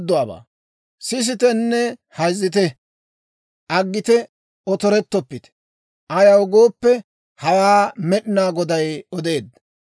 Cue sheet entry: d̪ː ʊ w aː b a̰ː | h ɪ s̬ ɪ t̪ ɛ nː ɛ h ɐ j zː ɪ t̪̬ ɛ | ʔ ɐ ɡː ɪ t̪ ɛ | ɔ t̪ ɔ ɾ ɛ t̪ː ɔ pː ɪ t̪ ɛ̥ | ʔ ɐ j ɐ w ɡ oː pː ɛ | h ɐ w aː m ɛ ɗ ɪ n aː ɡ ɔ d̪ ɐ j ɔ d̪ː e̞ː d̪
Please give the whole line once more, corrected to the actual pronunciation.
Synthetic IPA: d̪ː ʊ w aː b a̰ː | s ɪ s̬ ɪ t̪ ɛ nː ɛ h ɐ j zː ɪ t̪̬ ɛ | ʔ ɐ ɡː ɪ t̪ ɛ | ɔ t̪ ɔ ɾ ɛ t̪ː ɔ pː ɪ t̪ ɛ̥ | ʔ ɐ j ɐ w ɡ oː pː ɛ | h ɐ w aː m ɛ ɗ ɪ n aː ɡ ɔ d̪ ɐ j ɔ d̪ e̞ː d̪